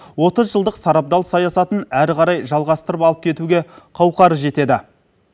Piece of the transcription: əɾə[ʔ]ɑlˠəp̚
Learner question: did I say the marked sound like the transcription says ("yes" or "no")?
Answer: no